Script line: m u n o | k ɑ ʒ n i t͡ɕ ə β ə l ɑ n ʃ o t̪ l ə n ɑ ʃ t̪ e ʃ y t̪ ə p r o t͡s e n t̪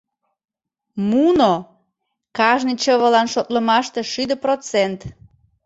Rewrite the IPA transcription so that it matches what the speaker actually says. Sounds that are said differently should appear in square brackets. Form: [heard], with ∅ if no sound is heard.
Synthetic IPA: m u n o | k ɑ ʒ n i t͡ɕ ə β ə l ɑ n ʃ o t̪ l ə [m] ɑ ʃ t̪ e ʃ y [d̪] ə p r o t͡s e n t̪